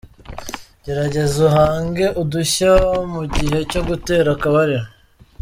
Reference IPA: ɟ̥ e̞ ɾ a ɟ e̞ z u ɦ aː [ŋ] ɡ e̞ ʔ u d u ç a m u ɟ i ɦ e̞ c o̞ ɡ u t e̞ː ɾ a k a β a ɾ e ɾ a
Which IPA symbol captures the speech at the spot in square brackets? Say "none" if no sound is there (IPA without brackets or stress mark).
ŋ